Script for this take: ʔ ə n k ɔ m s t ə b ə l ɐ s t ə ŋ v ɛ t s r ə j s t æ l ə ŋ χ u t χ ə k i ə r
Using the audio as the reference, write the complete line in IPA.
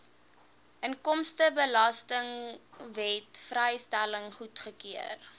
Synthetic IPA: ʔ ə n k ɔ m s t ə b ə l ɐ s t ə ŋ v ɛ t f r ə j s t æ l ə ŋ χ u t χ ə k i ə r